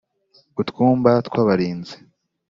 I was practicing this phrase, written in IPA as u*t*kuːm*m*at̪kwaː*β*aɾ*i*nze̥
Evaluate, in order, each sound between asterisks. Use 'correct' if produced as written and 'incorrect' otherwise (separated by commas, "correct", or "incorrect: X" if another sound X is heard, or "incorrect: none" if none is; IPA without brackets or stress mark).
correct, incorrect: b, correct, incorrect: iː